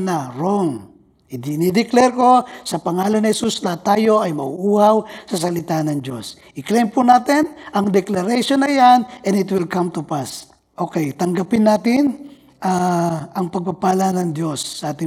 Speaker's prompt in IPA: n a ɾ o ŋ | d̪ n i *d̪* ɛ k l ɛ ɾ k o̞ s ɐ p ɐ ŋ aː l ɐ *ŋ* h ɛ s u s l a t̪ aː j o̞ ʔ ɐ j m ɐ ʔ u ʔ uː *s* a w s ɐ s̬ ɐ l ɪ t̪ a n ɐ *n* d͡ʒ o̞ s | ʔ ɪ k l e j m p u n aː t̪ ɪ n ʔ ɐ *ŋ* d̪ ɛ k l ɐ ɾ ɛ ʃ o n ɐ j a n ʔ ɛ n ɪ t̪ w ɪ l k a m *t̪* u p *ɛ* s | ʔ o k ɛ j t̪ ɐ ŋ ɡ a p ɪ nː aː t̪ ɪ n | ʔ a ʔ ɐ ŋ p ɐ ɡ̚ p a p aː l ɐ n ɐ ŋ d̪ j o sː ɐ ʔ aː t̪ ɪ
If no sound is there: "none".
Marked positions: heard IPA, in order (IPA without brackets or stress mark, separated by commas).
d̪, n, h, ŋ, ŋ, t̪, a